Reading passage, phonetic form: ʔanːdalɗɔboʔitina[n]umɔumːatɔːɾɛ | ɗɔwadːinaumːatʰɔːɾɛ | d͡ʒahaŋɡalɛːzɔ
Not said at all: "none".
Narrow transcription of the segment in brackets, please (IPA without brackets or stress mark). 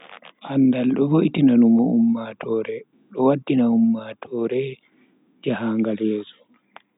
n